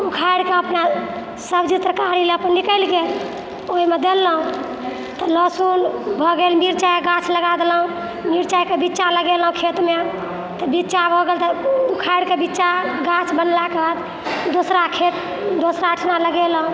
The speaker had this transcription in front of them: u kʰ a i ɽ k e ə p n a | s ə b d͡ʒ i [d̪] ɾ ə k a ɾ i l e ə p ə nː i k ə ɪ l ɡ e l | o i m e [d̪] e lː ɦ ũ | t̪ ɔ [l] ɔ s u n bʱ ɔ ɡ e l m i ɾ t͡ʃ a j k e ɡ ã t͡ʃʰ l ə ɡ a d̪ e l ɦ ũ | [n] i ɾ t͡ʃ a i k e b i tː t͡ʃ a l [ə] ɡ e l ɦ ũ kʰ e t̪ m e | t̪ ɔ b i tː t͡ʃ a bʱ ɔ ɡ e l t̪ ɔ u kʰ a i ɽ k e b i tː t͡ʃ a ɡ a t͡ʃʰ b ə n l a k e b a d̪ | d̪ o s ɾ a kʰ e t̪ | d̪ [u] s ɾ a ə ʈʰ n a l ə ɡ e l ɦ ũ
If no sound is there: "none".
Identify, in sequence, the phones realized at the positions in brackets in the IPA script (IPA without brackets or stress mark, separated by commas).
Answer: t̪, d̪, l, m, ə, o